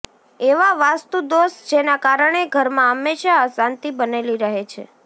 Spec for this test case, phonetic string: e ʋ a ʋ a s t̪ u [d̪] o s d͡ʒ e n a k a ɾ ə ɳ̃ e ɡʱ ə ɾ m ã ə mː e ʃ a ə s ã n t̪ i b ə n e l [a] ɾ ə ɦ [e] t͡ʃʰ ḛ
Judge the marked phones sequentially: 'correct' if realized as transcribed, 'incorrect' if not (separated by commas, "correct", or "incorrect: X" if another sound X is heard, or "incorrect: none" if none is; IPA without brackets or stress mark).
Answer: correct, incorrect: i, correct